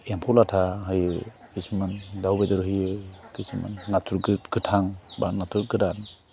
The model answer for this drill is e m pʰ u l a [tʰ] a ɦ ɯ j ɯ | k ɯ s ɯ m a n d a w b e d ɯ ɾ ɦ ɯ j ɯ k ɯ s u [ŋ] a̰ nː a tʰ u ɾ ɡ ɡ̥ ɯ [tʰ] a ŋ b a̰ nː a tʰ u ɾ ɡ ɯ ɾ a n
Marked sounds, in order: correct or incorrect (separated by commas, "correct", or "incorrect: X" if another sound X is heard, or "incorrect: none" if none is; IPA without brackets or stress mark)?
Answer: correct, incorrect: m, correct